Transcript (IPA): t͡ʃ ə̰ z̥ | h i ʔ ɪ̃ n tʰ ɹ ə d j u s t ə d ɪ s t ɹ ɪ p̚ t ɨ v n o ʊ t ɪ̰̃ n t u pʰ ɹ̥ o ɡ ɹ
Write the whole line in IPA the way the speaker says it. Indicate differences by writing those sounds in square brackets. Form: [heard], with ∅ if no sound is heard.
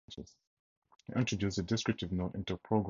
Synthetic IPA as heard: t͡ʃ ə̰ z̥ | h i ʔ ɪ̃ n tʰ ɹ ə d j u s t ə d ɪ s [k] ɹ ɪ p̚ t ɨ v n o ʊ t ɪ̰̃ n t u pʰ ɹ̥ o ɡ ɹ